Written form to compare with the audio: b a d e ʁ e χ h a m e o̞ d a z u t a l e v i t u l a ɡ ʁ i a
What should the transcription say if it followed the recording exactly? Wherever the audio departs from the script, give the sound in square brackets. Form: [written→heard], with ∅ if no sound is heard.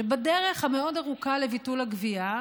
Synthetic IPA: b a d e ʁ e χ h a m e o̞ d a [z→ʁ] u [t→k] a l e v i t u l a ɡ [ʁ→v] i a